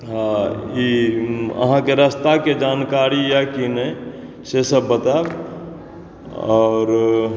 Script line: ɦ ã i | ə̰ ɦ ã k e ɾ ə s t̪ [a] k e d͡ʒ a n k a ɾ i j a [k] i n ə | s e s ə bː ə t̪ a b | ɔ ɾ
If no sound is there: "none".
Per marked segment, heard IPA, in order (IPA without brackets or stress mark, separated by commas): a, k